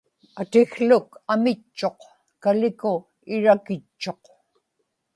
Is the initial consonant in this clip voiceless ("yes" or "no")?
yes